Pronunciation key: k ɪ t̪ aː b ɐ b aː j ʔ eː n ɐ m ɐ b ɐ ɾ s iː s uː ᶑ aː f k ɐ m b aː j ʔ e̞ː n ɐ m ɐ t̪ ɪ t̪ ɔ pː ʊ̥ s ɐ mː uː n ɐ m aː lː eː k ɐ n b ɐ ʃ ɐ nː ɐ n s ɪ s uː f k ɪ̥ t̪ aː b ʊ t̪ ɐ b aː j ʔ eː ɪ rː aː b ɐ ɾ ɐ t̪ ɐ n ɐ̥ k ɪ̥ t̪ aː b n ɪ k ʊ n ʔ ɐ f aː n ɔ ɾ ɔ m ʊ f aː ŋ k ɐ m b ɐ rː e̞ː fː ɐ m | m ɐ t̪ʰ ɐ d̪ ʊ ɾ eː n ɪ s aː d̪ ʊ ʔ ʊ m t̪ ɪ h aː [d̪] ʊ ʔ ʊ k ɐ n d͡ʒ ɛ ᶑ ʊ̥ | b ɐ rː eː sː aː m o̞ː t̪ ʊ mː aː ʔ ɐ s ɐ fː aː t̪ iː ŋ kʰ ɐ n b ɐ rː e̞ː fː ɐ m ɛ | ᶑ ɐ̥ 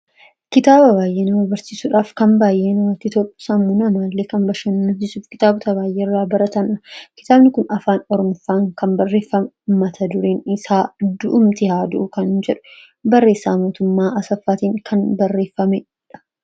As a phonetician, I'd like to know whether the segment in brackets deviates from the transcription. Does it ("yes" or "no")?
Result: no